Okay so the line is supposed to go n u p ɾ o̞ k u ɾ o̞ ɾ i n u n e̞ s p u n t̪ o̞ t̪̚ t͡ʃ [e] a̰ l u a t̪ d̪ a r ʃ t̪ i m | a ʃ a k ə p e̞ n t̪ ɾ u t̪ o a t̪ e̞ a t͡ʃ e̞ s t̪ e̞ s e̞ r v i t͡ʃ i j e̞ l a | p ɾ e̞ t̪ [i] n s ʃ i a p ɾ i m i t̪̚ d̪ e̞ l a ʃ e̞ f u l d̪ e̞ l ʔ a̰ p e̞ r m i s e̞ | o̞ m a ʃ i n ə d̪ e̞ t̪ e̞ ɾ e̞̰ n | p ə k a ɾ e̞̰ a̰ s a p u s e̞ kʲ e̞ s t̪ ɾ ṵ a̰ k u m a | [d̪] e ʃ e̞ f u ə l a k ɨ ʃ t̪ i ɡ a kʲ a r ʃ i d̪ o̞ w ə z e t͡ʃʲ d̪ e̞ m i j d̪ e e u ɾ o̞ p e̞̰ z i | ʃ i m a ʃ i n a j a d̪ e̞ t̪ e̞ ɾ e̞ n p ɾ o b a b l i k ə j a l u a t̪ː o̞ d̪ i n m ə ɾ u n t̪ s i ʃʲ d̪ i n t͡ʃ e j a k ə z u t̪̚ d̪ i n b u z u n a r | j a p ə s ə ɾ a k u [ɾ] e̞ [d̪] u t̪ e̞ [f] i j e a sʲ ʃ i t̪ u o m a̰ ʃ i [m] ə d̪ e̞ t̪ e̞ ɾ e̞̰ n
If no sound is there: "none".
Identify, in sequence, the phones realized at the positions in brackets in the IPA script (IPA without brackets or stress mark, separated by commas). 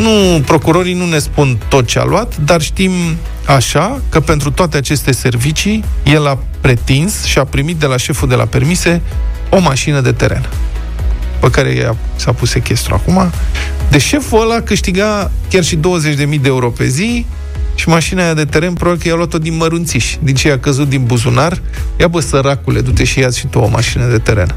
e, i, d̪, l, d̪, ʃ, n